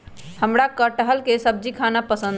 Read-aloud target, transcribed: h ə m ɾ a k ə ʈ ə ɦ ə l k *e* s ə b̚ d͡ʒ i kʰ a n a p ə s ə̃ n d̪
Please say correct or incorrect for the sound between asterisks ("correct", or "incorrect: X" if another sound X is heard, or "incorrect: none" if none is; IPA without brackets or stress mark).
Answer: correct